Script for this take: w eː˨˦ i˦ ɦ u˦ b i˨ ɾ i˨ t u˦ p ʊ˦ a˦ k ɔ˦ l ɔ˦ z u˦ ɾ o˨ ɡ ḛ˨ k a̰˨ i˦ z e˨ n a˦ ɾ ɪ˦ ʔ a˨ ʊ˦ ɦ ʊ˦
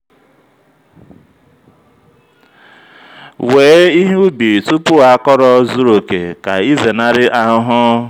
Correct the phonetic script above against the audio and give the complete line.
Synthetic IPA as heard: w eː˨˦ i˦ ɦ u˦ b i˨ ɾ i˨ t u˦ p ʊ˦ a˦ k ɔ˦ ɾ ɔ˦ z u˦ ɾ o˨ k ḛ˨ k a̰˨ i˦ z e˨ n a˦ ɾ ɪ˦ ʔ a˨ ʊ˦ ɦ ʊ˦